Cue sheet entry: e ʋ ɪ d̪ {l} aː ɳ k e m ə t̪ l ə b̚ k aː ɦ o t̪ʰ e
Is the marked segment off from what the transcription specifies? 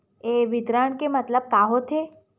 yes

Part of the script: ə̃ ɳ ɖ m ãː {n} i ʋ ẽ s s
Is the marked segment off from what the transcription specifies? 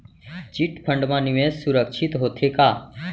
no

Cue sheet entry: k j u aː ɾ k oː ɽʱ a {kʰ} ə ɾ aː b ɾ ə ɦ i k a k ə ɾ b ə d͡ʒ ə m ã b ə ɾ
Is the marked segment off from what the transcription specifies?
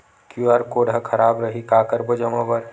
no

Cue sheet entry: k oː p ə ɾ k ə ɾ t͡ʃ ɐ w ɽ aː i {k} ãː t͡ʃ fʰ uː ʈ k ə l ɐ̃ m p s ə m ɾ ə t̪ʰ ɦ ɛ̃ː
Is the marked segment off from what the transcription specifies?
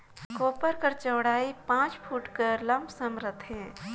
yes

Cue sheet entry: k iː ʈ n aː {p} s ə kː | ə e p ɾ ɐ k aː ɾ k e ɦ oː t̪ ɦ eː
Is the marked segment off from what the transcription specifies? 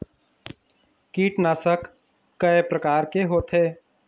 yes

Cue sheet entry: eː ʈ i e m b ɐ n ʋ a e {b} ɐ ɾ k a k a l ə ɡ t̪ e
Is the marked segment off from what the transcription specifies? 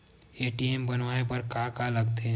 yes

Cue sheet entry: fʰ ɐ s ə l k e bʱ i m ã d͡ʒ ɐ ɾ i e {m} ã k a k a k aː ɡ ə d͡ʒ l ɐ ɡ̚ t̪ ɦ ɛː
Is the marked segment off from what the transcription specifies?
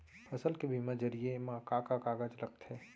no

